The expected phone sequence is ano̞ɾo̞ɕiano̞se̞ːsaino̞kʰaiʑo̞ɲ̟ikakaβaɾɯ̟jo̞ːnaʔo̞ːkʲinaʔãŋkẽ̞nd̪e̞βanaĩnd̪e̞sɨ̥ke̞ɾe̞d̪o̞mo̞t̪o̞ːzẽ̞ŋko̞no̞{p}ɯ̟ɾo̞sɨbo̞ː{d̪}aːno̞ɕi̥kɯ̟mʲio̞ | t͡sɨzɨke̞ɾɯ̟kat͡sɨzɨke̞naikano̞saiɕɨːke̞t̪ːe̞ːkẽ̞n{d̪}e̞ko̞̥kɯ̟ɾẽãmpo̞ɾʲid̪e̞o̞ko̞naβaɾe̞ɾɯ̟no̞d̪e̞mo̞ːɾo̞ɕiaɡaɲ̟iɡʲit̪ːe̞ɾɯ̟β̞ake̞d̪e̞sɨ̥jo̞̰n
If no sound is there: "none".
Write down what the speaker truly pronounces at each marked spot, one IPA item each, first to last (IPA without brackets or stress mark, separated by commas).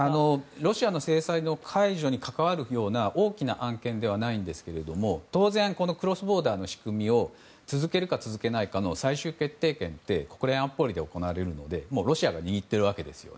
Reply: k, d̪, t̪